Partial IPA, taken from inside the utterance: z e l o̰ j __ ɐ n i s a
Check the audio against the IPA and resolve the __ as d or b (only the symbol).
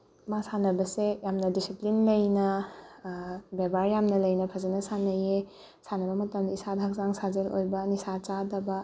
b